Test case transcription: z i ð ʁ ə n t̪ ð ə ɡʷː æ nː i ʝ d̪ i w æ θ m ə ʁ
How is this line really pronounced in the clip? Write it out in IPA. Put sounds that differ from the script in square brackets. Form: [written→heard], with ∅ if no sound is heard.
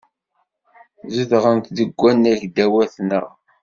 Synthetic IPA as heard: z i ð ʁ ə n t̪ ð ə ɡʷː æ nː [i→æ] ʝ d̪ [i→æ] w æ θ [m→n] ə ʁ

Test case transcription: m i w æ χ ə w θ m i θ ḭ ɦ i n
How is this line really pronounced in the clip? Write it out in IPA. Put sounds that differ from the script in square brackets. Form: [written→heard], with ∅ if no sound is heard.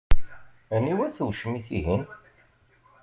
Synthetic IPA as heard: [m→n] i w æ [χ→θ] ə w [θ→ʃ] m i θ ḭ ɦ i n

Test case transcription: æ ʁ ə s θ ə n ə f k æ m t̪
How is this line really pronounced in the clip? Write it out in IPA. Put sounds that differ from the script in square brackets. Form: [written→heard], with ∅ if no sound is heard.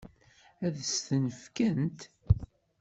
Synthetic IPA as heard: æ [ʁ→ð] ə s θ ə n ə f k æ [m→n] t̪

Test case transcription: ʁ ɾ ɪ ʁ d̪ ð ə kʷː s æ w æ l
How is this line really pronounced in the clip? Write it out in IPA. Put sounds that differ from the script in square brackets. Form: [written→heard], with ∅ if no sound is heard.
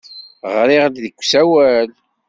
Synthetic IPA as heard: ʁ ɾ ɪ ʁ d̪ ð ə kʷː s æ w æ l

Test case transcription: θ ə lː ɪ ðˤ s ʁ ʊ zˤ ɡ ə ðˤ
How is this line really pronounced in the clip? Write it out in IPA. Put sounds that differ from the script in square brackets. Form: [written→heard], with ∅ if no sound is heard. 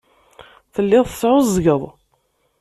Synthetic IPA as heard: θ ə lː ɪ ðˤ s [ʁ→ʕ] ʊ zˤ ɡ ə ðˤ

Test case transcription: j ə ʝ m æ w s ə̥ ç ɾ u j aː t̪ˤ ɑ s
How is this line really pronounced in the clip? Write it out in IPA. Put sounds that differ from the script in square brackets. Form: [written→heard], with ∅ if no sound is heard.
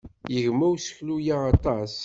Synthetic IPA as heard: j ə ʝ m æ w s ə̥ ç [ɾ→l] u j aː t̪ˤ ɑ s

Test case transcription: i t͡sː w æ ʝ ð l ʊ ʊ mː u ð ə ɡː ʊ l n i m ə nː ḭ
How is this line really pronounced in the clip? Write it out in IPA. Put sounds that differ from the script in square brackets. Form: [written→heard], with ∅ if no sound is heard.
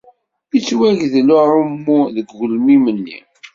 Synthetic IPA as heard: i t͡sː w æ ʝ ð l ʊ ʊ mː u ð ə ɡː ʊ l [n→m] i m ə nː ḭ

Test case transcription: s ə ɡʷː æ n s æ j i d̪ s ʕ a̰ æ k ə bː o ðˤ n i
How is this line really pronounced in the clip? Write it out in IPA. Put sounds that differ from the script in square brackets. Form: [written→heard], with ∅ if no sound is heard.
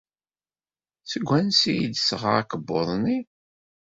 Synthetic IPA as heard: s ə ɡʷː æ n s [æ→i] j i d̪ s [ʕ→ʁ] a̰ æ k ə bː o ðˤ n i

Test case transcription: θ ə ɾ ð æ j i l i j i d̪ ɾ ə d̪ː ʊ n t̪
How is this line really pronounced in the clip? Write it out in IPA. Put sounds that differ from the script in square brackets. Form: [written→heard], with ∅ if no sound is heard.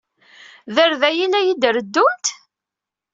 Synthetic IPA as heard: [θ→ð] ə ɾ ð æ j i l [i→æ] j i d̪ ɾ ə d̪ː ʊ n t̪

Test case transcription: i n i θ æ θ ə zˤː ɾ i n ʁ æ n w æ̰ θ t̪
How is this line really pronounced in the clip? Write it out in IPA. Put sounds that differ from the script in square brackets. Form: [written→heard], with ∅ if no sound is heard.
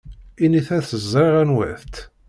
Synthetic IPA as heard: i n i θ æ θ ə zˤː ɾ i [n→∅] ʁ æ n w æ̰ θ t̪

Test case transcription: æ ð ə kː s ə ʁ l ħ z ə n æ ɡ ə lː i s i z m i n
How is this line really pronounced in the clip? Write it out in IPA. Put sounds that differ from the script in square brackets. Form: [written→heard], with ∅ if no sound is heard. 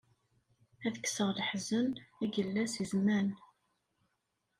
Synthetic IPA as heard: æ ð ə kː s ə ʁ l ħ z ə n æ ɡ ə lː [i→æ] s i z m [i→æ] n

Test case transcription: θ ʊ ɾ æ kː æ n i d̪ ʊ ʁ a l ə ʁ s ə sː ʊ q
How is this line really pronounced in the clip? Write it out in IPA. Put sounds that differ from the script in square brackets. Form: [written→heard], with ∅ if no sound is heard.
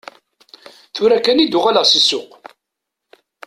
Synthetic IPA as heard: θ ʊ ɾ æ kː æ n i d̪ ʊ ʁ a l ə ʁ s ə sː ʊ q

